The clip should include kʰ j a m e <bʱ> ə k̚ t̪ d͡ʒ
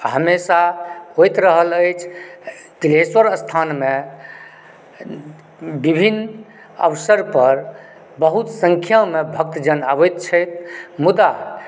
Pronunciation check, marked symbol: correct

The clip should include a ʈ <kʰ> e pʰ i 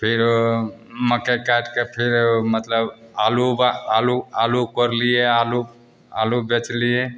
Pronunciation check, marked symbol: incorrect: k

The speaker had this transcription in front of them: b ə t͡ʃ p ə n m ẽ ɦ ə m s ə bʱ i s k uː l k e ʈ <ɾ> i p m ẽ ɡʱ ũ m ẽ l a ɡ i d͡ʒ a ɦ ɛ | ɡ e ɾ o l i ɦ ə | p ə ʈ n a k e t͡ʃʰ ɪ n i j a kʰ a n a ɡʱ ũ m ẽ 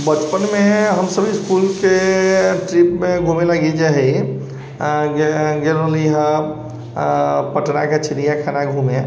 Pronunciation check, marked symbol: correct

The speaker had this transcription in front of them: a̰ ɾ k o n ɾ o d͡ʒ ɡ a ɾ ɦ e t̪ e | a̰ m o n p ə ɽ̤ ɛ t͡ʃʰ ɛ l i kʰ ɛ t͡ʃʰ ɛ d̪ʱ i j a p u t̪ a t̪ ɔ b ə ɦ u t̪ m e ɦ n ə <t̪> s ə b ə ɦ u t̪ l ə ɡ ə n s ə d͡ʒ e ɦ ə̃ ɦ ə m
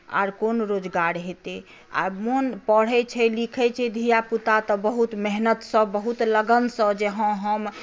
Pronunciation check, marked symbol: correct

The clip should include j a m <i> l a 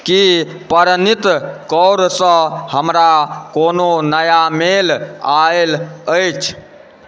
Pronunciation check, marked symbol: incorrect: e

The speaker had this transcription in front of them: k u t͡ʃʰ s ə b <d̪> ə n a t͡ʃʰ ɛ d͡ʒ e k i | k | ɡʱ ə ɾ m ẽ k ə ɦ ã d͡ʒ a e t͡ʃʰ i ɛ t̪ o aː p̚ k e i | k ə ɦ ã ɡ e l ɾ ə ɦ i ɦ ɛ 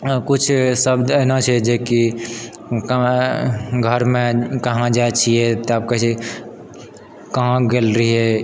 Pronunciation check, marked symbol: correct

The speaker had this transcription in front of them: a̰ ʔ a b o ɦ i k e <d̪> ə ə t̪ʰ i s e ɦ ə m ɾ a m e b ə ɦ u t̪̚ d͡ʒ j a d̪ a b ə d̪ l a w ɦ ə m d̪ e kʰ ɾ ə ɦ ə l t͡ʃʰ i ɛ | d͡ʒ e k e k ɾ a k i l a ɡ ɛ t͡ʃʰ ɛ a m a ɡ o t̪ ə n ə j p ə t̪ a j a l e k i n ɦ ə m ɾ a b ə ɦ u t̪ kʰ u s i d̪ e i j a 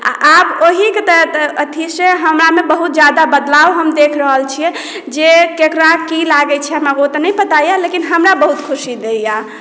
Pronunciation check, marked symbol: incorrect: t̪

